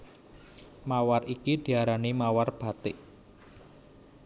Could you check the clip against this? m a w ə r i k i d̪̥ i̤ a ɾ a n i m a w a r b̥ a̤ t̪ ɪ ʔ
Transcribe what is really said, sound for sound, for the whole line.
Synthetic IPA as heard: m a w a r i k i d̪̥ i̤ a ɾ a n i m a w a r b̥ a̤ t̪ ɪ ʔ